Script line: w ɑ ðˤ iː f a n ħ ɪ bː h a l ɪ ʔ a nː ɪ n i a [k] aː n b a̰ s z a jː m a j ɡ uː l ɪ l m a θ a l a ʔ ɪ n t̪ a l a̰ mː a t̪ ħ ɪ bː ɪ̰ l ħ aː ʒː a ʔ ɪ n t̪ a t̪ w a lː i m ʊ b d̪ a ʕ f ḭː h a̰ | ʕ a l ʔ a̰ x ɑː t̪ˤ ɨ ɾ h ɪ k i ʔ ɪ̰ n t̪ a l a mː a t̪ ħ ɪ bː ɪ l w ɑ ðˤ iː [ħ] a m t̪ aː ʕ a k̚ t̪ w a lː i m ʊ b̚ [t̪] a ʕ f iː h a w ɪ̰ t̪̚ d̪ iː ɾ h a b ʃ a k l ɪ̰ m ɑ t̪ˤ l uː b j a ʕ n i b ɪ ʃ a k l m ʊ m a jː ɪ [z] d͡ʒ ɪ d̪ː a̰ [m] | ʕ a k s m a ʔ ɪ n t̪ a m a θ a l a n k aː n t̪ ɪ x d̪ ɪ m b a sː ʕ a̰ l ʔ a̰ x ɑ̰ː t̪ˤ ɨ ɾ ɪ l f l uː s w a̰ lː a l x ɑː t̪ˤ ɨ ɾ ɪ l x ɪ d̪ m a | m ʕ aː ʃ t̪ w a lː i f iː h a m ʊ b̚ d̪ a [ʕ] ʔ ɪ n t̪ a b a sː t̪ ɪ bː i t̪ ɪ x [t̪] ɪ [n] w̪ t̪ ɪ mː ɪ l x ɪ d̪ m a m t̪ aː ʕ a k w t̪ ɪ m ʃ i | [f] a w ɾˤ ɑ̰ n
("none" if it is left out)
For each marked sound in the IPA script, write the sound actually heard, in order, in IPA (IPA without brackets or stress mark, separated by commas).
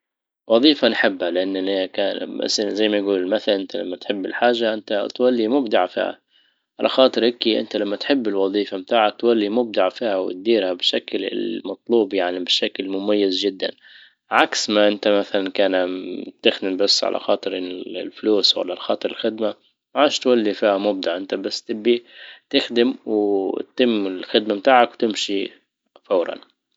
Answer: k, f, d̪, z, n, ʕ, d̪, m, f